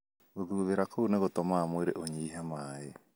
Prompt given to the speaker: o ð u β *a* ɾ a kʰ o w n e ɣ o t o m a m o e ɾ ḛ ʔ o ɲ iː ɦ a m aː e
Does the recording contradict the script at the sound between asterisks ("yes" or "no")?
yes